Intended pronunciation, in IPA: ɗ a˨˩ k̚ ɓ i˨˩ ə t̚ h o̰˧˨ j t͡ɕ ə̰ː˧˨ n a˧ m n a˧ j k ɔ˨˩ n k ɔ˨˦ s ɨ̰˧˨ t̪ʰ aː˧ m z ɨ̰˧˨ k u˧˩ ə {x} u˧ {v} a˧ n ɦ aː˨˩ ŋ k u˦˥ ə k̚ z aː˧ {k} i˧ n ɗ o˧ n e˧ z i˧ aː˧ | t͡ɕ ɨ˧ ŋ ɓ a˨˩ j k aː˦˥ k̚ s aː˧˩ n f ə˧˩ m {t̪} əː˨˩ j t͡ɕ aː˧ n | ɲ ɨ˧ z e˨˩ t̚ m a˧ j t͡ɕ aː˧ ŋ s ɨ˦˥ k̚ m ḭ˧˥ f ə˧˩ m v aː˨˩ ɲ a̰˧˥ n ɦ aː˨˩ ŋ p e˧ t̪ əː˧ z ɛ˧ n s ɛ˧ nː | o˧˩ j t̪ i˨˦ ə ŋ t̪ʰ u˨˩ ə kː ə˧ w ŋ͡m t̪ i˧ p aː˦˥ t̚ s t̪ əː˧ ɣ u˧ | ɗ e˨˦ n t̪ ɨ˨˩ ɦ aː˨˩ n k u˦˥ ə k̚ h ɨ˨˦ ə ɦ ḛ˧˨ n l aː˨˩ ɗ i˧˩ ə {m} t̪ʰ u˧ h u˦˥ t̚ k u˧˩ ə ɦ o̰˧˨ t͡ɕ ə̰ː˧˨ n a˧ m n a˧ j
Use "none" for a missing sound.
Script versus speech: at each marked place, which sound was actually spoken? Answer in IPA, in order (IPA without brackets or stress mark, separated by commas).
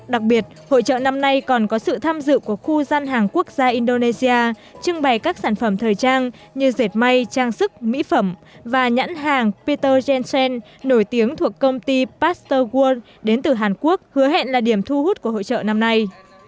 x, z, ʔ, t̪ʰ, m